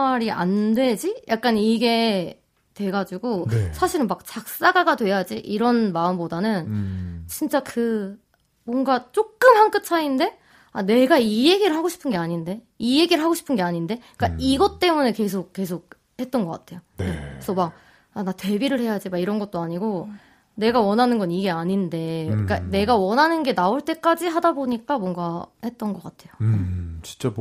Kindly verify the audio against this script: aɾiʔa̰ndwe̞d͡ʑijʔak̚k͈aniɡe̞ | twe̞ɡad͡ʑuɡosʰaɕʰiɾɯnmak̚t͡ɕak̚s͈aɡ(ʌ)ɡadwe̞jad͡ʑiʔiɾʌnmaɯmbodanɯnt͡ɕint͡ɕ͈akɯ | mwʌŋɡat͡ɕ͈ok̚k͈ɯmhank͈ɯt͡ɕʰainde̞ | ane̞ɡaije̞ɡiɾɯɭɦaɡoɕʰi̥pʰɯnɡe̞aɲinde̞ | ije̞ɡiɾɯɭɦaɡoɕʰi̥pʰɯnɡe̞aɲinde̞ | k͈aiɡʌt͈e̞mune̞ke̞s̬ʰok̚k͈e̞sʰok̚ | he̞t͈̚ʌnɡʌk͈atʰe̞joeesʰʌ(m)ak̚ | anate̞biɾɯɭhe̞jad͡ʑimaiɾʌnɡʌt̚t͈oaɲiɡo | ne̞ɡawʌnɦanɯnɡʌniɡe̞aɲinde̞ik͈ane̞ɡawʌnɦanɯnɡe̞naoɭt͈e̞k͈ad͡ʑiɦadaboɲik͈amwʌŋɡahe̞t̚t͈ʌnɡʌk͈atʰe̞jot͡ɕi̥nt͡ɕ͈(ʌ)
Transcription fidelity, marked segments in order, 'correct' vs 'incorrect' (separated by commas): incorrect, correct, incorrect